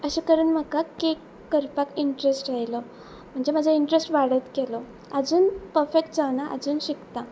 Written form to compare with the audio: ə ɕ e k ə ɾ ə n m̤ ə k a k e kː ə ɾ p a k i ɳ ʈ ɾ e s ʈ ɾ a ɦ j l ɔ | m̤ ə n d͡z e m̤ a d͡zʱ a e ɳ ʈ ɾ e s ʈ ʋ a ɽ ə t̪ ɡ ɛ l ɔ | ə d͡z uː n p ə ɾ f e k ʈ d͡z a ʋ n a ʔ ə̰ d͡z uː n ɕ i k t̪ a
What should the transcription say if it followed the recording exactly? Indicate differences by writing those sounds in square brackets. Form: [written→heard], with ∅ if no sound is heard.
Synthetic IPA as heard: ə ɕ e k ə ɾ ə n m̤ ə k a k e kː ə ɾ p a k i ɳ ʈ ɾ e s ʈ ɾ a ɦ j l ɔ | m̤ ə [n→ɳ] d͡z e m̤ a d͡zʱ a [e→i] ɳ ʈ ɾ e s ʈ ʋ a ɽ ə t̪ [ɡ→k] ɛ l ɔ | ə d͡z uː n p ə ɾ f e k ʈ d͡z a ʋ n a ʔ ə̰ d͡z uː n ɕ i k t̪ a